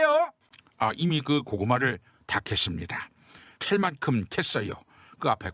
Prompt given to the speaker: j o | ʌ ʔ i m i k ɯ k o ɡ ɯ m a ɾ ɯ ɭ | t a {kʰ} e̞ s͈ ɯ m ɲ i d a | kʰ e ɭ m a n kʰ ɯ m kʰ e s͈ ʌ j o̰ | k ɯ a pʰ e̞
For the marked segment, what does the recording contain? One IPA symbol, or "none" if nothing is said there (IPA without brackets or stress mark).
kʰ